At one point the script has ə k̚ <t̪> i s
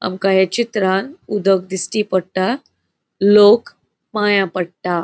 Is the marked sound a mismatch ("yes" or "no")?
yes